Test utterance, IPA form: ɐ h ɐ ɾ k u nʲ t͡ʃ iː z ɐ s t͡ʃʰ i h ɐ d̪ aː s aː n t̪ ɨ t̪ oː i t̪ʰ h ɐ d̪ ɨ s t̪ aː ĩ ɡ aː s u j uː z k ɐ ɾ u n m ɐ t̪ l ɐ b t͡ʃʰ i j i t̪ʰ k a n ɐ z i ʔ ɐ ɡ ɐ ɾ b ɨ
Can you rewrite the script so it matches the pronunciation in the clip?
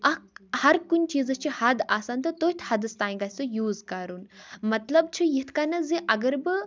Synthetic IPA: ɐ h ɐ ɾ k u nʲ t͡ʃ iː z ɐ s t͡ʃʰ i h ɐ d̪ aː s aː n t̪ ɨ t̪ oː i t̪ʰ h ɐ d̪ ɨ s t̪ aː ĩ ɡ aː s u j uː z k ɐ ɾ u n m ɐ t̪ l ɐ b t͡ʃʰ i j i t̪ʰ k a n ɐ z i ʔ ɐ ɡ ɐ ɾ b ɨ